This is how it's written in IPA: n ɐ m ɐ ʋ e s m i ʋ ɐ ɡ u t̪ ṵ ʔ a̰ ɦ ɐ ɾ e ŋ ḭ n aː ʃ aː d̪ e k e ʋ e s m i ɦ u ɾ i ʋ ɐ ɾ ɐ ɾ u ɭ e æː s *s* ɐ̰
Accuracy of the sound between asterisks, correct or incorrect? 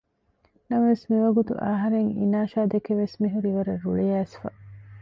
incorrect